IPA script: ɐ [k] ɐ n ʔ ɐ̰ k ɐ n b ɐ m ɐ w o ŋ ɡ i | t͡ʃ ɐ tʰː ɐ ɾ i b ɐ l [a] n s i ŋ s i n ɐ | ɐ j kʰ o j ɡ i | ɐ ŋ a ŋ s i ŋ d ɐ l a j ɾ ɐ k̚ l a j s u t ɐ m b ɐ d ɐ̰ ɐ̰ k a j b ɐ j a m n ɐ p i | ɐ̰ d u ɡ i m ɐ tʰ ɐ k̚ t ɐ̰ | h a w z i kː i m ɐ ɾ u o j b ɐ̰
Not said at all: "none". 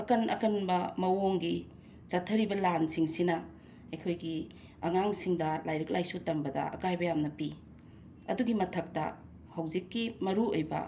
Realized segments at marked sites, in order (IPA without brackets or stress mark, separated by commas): k, a